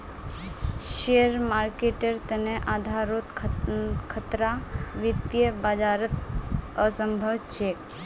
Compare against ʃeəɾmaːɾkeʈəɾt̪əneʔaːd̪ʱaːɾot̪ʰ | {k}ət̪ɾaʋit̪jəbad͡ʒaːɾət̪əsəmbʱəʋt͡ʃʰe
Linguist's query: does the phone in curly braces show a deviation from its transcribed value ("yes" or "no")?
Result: yes